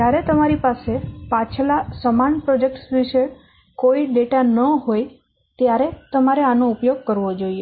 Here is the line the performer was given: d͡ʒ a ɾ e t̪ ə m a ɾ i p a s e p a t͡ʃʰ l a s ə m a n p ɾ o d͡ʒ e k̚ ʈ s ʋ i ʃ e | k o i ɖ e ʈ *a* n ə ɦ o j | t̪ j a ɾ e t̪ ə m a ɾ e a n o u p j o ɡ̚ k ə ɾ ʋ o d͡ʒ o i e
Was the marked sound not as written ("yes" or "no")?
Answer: no